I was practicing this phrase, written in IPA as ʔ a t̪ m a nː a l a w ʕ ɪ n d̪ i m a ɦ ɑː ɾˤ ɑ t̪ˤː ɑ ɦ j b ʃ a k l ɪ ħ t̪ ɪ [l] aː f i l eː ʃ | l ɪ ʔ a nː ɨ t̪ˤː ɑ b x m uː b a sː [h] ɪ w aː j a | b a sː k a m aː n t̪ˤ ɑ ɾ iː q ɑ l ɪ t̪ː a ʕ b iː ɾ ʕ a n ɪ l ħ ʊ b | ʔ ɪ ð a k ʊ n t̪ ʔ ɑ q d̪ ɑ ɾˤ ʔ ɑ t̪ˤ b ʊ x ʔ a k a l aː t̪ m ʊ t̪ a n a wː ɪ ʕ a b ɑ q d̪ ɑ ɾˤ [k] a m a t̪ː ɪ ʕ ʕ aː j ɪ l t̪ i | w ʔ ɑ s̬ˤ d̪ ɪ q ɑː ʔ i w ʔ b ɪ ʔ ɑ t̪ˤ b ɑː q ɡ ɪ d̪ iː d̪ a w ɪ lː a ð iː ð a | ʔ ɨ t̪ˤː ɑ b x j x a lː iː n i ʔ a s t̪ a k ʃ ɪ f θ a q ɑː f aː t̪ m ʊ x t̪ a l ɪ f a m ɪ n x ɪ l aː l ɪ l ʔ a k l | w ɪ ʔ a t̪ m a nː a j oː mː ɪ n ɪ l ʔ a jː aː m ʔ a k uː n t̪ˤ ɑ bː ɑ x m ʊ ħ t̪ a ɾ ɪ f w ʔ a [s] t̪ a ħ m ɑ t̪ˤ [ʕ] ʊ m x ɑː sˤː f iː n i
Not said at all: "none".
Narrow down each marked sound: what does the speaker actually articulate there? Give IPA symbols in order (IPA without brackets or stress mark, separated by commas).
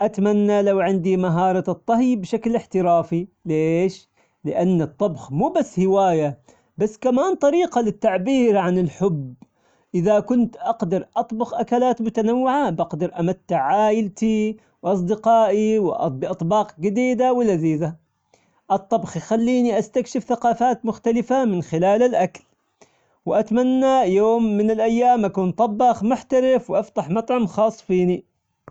ɾ, h, ʔ, f, ʕ